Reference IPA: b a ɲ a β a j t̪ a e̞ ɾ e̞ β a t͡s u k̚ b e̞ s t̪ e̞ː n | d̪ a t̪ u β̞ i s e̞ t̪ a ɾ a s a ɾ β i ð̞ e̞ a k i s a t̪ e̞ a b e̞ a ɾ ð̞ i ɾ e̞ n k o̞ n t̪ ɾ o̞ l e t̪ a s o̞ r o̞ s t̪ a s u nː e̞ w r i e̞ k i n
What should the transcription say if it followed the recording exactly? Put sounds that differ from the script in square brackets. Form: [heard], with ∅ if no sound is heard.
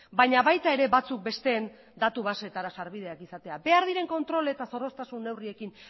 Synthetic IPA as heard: b a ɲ a β a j t̪ a e̞ ɾ e̞ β a t͡s u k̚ b e̞ s t̪ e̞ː n | d̪ a t̪ u β̞ [a] s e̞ t̪ a ɾ a s a ɾ β i ð̞ e̞ a k i s a t̪ e̞ a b e̞ a ɾ ð̞ i ɾ e̞ [ŋ] k o̞ n t̪ ɾ o̞ l e t̪ a s o̞ r o̞ s t̪ a s u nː e̞ w r i e̞ k i n